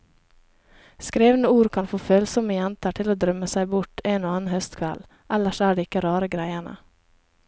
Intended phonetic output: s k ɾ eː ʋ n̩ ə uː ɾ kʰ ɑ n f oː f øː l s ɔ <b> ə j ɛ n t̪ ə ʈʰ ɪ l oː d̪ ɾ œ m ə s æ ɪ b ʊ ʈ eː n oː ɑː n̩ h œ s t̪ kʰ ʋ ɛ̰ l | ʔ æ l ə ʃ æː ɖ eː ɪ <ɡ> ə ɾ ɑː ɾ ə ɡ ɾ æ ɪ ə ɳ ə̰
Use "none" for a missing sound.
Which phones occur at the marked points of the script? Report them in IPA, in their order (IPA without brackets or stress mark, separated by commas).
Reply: m, k